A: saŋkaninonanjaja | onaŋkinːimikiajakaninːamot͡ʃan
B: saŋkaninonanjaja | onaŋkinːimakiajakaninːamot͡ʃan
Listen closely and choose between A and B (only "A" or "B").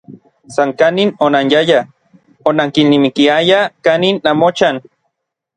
A